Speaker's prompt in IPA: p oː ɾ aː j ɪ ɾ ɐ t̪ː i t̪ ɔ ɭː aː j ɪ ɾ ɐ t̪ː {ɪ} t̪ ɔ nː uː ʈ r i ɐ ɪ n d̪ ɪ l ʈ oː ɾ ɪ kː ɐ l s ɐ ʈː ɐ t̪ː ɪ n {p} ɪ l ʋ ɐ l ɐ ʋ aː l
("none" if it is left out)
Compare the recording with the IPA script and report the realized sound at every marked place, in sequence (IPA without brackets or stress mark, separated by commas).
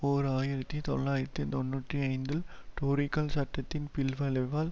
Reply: i, p